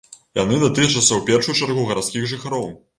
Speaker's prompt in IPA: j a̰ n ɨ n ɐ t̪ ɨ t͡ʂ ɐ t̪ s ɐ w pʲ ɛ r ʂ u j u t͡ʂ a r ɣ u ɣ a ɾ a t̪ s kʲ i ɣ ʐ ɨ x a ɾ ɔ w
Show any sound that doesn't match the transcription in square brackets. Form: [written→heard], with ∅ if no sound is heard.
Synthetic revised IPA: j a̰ n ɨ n ɐ t̪ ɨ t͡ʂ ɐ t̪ s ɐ w pʲ ɛ r ʂ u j u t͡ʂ a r ɣ u ɣ [a→ɐ] ɾ a t̪ s kʲ i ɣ ʐ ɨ x a ɾ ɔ w